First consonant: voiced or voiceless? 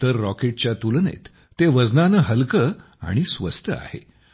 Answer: voiceless